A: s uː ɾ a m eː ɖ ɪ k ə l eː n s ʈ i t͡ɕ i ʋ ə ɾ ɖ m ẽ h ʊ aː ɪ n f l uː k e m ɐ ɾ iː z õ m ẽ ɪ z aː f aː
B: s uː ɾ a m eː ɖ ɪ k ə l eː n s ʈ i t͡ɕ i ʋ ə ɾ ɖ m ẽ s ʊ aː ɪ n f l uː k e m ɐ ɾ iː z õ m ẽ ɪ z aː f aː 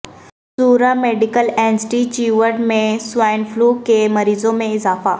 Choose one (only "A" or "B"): B